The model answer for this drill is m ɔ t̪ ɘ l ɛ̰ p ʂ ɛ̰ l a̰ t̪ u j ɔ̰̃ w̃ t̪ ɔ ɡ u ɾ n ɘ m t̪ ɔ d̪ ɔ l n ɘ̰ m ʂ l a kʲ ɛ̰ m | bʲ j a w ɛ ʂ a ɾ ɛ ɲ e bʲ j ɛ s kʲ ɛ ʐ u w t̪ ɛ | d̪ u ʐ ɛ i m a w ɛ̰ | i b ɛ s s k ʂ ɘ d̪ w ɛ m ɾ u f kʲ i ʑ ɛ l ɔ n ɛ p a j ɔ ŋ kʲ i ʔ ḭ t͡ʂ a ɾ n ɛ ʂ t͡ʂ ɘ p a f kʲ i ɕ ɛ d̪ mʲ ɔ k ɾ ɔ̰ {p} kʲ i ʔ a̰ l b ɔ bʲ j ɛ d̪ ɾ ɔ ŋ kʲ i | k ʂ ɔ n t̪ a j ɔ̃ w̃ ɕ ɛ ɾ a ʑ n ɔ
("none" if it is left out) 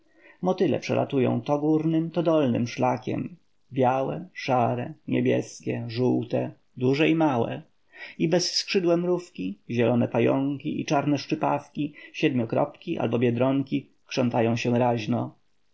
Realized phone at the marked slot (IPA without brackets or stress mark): p